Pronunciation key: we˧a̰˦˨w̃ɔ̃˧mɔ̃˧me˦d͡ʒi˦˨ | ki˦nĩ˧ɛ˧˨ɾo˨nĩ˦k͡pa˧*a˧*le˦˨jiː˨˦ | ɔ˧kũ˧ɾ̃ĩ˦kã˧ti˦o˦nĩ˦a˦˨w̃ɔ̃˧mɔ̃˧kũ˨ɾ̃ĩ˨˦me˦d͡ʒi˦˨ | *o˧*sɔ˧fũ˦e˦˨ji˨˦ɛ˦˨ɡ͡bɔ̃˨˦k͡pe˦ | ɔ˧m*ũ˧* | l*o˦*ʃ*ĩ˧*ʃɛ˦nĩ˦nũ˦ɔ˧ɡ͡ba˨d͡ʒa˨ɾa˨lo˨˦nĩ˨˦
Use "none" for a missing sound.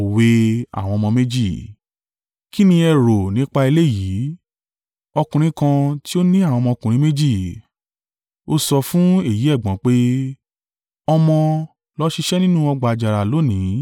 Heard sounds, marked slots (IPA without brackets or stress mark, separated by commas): i˧, o˧, ɔ̃˧, ɔ˦, i˧